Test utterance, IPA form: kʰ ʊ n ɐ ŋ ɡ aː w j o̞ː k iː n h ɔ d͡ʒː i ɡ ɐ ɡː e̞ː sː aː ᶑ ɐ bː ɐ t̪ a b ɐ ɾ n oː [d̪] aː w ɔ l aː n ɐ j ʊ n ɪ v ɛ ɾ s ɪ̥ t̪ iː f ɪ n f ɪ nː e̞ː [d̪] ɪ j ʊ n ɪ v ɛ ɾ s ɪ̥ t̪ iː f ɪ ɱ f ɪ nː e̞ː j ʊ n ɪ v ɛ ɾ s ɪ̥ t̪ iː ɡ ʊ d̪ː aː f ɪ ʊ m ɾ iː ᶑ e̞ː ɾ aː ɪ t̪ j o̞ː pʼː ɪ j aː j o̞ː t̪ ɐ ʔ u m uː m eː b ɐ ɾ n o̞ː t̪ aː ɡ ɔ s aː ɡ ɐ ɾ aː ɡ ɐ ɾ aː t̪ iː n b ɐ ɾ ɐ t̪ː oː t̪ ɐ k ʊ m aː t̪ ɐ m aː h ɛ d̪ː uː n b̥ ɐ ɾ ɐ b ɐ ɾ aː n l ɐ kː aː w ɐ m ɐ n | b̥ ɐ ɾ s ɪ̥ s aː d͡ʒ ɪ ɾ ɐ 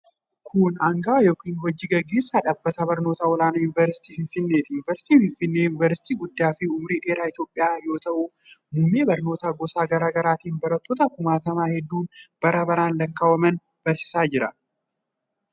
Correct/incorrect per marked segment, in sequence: incorrect: t̪, incorrect: t̪

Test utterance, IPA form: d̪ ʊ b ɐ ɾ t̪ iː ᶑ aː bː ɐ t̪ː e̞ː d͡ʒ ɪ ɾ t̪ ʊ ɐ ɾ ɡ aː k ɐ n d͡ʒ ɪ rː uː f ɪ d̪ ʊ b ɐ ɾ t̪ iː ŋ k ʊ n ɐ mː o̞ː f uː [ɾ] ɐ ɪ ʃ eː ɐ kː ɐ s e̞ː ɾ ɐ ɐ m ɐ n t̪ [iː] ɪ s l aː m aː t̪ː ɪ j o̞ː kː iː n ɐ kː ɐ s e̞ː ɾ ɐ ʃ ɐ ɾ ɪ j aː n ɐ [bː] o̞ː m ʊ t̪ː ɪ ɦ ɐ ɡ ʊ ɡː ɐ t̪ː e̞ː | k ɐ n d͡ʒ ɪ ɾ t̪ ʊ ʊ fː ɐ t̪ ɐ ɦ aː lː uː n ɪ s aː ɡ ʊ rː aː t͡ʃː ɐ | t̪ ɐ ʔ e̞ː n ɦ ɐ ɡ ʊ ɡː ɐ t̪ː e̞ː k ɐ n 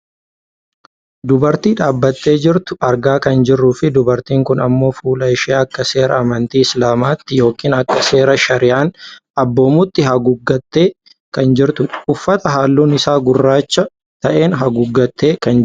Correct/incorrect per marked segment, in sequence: incorrect: l, correct, correct

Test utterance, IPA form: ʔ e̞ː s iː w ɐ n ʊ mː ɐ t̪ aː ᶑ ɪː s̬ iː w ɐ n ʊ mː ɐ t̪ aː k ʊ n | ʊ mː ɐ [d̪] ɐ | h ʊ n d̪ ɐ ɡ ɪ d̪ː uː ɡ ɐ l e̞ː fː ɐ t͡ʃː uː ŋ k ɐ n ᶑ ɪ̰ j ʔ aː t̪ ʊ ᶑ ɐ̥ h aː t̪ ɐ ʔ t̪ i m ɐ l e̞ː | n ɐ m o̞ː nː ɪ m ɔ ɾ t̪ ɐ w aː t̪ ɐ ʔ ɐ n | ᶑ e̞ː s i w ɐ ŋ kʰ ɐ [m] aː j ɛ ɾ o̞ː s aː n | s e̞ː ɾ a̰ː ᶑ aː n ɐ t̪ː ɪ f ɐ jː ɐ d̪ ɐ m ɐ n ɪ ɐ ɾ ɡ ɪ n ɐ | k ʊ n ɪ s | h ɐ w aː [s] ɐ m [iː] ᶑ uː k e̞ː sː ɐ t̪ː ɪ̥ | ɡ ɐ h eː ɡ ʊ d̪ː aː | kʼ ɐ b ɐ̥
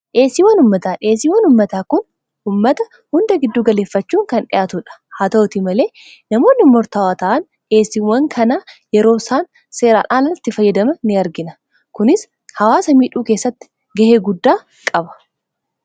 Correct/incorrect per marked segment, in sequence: incorrect: t̪, incorrect: n, correct, correct

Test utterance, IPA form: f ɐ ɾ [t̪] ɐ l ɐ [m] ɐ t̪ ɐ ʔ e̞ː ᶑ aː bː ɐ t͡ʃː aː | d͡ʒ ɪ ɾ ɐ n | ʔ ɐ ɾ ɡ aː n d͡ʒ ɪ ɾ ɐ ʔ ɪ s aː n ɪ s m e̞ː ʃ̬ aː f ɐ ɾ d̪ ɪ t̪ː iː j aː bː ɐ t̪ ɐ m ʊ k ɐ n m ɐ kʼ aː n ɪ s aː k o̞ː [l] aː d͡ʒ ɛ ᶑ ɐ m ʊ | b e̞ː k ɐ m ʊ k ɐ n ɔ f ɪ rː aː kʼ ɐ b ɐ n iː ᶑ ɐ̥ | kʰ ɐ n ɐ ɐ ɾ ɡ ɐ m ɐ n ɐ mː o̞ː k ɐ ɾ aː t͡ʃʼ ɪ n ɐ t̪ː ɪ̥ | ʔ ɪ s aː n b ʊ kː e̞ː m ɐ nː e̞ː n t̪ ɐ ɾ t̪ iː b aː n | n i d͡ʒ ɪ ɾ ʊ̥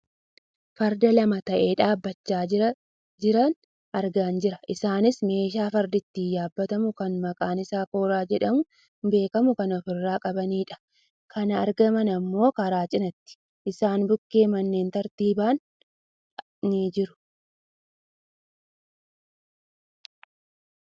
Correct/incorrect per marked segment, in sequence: incorrect: d̪, correct, incorrect: ɾ

